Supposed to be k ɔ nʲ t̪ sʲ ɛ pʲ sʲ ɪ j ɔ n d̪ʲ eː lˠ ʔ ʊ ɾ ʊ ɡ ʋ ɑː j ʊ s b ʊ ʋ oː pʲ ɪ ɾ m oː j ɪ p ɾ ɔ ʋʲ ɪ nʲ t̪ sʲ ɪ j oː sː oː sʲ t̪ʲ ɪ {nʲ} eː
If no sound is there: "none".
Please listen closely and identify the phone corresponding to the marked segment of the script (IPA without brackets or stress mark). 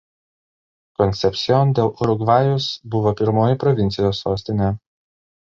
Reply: nʲ